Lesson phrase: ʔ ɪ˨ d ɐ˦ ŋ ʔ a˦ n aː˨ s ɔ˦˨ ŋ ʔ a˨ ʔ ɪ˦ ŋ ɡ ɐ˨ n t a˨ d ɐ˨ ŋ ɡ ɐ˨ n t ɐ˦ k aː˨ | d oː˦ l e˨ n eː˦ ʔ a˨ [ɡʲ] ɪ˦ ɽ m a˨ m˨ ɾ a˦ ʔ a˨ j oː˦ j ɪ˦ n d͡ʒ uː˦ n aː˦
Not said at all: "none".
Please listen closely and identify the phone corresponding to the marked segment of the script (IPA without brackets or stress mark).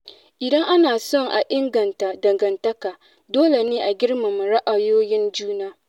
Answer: ɡʲ